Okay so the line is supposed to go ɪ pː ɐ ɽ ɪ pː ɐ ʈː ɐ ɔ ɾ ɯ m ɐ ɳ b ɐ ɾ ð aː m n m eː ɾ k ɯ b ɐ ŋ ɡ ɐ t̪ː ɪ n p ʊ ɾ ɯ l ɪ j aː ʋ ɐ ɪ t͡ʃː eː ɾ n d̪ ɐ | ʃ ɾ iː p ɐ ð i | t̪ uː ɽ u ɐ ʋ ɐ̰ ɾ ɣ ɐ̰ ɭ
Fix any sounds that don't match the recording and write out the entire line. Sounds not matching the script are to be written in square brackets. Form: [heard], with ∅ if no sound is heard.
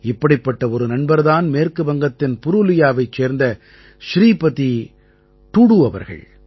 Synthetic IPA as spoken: ɪ pː ɐ ɽ ɪ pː ɐ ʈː ɐ ɔ ɾ ɯ [n] ɐ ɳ b ɐ ɾ ð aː [∅] n m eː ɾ k ɯ b ɐ ŋ ɡ ɐ t̪ː ɪ n p ʊ ɾ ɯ l ɪ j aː ʋ ɐ ɪ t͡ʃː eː ɾ n d̪ ɐ | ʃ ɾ iː p ɐ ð i | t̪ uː ɽ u ɐ ʋ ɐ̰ ɾ ɣ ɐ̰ ɭ